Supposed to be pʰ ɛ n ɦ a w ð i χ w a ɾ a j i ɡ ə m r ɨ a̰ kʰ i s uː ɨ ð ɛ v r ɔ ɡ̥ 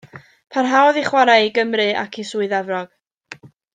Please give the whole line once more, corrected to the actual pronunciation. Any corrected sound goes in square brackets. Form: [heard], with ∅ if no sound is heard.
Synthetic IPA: pʰ [a] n ɦ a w ð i χ w a ɾ a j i ɡ ə m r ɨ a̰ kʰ i s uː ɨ ð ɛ v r ɔ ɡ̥